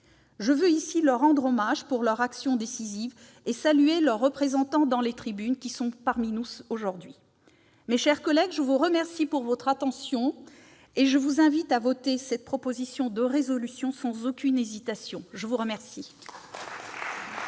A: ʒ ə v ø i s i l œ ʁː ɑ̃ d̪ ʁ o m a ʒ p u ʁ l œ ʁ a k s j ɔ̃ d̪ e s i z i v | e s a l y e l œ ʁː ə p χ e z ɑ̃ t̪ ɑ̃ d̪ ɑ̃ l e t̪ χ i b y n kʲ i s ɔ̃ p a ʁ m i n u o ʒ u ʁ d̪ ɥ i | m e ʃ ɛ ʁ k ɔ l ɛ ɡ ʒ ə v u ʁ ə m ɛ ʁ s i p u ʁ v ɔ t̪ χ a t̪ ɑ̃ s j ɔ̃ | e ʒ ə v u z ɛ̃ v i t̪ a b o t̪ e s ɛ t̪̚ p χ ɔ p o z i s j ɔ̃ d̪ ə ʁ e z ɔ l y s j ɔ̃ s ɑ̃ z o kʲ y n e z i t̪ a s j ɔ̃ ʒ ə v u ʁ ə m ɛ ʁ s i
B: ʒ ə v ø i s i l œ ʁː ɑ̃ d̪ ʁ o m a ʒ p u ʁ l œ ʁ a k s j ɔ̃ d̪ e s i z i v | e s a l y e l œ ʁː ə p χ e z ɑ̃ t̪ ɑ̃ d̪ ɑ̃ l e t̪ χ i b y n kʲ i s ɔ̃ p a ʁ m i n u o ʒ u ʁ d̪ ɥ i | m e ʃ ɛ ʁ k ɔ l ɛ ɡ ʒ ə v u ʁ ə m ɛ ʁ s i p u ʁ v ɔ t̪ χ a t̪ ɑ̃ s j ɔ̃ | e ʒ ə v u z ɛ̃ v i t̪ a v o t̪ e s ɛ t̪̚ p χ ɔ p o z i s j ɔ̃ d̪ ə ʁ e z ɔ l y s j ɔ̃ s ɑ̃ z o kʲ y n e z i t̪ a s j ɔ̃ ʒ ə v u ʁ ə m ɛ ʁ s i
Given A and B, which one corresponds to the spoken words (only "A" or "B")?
B